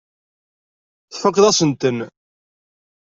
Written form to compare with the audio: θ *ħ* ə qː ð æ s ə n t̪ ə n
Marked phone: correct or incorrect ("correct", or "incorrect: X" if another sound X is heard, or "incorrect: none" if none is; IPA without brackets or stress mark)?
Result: incorrect: f